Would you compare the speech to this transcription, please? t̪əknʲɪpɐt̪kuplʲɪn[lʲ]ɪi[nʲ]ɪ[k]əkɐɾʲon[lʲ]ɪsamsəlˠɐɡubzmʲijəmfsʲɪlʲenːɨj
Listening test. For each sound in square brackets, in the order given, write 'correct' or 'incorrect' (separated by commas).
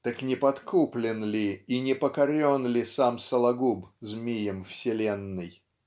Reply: correct, correct, incorrect, correct